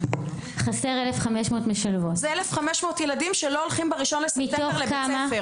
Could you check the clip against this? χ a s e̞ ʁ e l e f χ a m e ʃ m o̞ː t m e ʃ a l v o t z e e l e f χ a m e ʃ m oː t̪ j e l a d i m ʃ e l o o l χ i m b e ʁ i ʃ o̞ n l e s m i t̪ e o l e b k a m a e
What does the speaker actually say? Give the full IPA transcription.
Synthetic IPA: χ a s e̞ ʁ e l e f χ a m e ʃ m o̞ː t m e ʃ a l v o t z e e l e f χ a m e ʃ m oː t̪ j e l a d i m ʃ e l o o l χ i m b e ʁ i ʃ o̞ n l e s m i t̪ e o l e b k a m a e

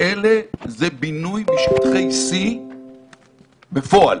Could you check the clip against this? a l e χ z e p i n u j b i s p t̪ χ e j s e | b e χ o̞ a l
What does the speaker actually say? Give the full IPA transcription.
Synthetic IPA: e l e z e b i n u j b i ʃ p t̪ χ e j s i | b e f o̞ a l

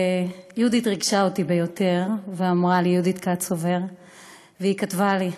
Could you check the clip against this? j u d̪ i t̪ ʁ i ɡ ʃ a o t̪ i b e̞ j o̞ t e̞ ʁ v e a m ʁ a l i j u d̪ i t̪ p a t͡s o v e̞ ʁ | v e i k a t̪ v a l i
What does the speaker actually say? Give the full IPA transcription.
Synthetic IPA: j u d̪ i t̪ ʁ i ɡ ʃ a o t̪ i b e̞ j o̞ t e̞ ʁ v e a m ʁ a l i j u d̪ i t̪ k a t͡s o v e̞ ʁ | v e i k a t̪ v a l i

